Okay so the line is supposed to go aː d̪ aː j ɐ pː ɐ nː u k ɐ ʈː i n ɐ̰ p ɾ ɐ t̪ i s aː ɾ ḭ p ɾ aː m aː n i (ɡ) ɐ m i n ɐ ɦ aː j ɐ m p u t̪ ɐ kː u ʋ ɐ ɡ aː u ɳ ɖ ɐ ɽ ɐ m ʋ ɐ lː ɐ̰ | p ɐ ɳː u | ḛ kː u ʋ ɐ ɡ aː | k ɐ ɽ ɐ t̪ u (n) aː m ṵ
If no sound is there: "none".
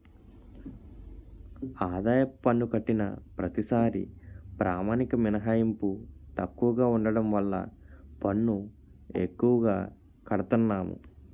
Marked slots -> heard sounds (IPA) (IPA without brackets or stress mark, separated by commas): k, nː